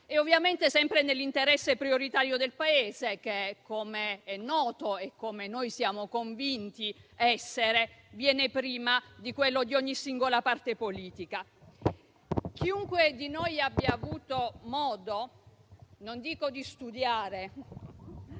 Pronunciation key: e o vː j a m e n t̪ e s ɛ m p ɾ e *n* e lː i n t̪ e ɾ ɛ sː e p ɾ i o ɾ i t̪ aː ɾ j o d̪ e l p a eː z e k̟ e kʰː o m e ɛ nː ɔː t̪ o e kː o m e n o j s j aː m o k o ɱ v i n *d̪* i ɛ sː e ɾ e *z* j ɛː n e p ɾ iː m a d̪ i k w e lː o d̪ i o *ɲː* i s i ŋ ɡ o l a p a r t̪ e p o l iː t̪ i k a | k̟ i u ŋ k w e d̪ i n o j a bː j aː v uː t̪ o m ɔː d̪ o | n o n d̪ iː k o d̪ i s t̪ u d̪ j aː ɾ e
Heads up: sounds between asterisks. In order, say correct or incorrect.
correct, incorrect, incorrect, correct

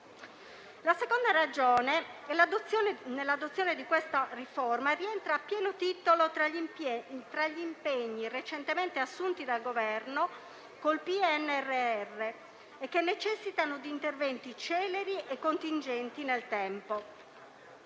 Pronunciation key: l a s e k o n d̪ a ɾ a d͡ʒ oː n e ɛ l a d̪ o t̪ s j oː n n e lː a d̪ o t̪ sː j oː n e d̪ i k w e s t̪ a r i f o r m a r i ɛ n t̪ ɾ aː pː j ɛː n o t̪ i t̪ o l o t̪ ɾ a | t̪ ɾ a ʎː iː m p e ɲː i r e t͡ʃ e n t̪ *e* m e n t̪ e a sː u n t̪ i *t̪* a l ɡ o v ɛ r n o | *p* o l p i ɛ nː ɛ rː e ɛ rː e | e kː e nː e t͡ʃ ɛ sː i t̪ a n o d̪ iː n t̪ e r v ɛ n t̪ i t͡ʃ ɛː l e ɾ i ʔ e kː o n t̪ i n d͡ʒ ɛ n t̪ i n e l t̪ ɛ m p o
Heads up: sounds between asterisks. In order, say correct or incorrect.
correct, incorrect, incorrect

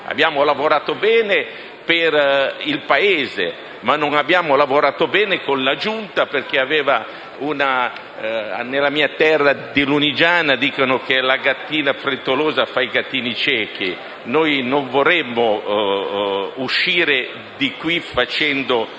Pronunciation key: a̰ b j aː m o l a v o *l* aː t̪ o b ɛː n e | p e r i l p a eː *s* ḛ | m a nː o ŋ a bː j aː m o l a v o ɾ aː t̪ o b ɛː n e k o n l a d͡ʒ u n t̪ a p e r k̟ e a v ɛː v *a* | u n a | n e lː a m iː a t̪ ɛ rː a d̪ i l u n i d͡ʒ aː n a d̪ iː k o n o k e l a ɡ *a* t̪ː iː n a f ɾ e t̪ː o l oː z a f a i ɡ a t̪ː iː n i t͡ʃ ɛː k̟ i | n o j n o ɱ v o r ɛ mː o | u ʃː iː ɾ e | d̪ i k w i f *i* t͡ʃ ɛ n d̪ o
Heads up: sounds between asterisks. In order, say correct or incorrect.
incorrect, incorrect, correct, correct, incorrect

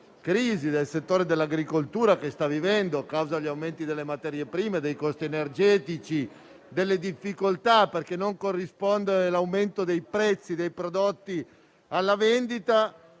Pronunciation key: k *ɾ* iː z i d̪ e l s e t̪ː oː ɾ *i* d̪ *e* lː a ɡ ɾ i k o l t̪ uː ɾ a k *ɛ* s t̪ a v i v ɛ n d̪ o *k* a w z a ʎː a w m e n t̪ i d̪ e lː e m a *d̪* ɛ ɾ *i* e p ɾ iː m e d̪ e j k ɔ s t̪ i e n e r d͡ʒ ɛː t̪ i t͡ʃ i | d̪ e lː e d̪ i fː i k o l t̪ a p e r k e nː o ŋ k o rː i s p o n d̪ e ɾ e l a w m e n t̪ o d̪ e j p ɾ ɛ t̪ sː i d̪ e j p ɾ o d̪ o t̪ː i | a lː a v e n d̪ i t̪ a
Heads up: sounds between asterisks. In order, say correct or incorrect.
correct, incorrect, correct, incorrect, correct, incorrect, incorrect

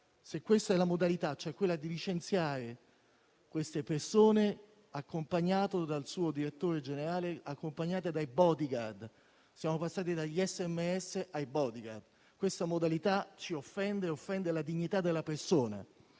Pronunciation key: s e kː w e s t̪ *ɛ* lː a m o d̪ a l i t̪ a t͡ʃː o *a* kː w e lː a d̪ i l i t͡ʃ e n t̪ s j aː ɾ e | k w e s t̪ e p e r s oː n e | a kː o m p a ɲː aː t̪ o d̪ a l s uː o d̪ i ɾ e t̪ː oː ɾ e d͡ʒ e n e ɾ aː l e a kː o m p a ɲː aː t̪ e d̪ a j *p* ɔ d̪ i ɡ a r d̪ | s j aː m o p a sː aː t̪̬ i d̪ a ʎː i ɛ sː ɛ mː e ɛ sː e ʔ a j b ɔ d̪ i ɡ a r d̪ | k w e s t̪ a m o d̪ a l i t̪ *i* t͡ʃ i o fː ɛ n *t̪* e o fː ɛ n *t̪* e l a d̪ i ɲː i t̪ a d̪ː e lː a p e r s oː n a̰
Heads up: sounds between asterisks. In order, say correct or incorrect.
correct, incorrect, incorrect, incorrect, incorrect, incorrect

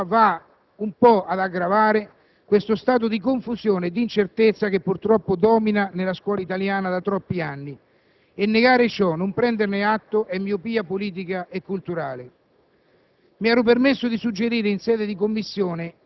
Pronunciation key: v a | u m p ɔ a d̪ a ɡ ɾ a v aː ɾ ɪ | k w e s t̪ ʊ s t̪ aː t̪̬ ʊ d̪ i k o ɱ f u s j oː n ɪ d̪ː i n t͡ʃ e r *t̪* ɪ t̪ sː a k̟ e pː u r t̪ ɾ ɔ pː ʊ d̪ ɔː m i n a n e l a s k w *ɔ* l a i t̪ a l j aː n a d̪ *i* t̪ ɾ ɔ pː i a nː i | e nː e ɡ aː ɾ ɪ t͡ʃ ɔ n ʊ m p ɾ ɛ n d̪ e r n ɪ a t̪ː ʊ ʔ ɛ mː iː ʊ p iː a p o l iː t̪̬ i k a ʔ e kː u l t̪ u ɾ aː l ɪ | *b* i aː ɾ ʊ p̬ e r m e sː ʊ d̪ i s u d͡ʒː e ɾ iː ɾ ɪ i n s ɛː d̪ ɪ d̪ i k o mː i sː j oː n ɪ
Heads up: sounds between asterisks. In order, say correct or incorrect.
correct, incorrect, incorrect, incorrect

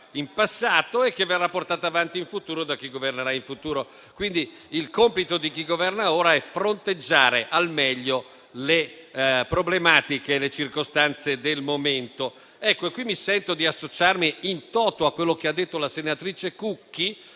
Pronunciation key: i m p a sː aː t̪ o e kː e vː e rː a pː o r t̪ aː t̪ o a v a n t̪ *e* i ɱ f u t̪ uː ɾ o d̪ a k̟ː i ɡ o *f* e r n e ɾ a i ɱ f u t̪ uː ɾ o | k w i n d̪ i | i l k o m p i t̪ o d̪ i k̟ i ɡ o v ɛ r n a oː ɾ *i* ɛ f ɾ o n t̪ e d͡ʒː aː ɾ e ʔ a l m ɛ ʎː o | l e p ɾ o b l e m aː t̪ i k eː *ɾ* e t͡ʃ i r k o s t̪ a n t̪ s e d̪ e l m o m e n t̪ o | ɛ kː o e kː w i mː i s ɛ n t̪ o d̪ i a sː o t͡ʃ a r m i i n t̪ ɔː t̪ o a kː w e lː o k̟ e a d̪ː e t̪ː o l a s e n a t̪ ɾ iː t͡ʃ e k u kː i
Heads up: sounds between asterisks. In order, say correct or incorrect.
incorrect, incorrect, incorrect, incorrect

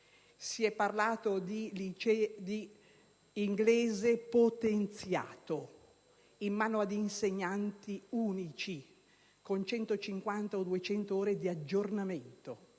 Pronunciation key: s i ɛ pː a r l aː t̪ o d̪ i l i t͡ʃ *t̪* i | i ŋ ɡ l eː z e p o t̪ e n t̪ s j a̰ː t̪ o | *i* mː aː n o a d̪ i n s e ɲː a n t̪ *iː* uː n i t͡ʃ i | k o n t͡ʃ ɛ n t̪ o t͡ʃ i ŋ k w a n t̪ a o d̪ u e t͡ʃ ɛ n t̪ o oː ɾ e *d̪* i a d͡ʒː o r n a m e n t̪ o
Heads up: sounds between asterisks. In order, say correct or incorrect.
incorrect, correct, incorrect, correct

